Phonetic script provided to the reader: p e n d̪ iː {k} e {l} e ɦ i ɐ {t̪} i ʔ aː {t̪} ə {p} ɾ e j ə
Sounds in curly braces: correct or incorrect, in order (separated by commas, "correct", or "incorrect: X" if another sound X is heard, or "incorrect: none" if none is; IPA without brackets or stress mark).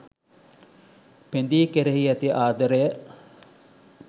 correct, incorrect: ɾ, correct, incorrect: d̪, incorrect: none